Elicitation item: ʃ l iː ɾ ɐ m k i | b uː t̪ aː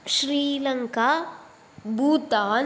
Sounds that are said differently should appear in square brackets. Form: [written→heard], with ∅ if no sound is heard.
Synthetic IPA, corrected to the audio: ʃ [l→ɾ] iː [ɾ→l] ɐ [m→ŋ] k [i→a] | b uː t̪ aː